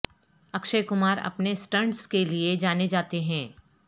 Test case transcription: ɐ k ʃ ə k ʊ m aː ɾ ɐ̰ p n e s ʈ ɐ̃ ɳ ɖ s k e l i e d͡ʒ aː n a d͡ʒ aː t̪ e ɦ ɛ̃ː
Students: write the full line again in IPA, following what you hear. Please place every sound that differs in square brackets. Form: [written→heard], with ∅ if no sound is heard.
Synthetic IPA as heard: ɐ k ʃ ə k ʊ m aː ɾ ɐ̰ p n e s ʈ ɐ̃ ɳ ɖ s k e l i e d͡ʒ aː n [a→e] d͡ʒ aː t̪ e ɦ ɛ̃ː